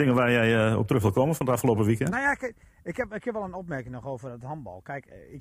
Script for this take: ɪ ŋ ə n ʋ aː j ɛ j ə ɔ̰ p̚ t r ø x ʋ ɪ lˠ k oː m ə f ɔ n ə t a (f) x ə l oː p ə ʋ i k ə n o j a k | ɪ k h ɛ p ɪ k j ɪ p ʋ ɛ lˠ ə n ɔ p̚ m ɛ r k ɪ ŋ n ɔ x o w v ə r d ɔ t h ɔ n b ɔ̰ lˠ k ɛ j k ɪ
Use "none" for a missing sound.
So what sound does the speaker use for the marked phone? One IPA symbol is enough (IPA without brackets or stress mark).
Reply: f